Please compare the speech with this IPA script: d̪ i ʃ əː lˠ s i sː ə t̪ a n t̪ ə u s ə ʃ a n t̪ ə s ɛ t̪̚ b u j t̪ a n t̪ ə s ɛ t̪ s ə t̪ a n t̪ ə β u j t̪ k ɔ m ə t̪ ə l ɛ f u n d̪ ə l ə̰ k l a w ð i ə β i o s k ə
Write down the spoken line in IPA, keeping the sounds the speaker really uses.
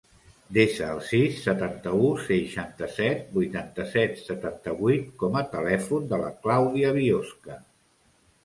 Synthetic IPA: d̪ e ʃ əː lˠ s i sː ə t̪ a n t̪ ə u s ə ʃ a n t̪ ə s ɛ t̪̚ b u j t̪ a n t̪ ə s ɛ t̪ s ə t̪ a n t̪ ə β u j t̪ k ɔ m ə t̪ ə l ɛ f u n d̪ ə l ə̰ k l a w ð i ə β i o s k ə